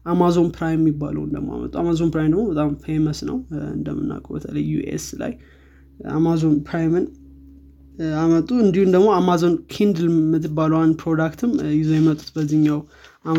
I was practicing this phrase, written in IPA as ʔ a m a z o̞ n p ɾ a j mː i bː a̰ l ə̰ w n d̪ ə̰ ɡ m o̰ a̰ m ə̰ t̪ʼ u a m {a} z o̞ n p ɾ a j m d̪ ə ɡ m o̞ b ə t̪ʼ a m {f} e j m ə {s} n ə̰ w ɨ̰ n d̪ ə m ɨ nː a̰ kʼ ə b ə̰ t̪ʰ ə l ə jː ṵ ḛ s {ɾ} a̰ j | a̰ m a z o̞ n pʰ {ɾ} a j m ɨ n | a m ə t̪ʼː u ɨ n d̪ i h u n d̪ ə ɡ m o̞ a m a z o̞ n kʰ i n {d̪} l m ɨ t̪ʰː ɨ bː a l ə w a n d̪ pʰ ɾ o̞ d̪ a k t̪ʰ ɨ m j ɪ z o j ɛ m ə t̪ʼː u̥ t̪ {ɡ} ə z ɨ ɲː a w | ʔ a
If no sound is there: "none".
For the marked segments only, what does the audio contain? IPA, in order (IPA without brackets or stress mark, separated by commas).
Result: a, f, s, l, ɾ, d̪, b